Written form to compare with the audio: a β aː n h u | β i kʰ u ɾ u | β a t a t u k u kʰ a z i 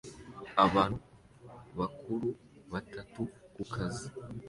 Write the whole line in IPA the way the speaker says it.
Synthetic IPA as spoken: a β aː n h u | β a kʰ u ɾ u | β a t a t u k u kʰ a z i